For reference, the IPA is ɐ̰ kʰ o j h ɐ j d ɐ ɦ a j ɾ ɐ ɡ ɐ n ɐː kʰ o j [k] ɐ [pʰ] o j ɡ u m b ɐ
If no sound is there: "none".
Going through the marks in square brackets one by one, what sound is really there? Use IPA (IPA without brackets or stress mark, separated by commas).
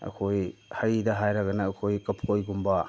k, pʰ